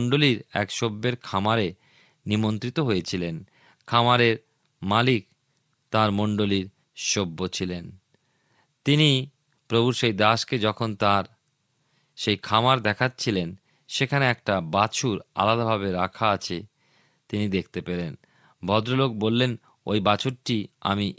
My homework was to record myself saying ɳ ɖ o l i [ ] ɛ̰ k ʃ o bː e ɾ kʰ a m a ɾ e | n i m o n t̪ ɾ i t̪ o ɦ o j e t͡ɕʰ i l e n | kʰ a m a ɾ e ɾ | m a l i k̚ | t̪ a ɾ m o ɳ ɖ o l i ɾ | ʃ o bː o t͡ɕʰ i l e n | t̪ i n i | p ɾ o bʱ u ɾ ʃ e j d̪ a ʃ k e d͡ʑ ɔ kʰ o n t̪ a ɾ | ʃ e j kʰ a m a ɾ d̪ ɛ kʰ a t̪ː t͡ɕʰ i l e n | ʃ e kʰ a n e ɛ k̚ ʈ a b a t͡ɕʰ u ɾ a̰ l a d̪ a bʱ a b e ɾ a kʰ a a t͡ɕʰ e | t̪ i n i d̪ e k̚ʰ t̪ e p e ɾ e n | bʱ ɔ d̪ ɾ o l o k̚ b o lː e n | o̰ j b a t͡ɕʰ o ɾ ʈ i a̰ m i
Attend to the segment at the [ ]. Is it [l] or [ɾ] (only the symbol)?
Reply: ɾ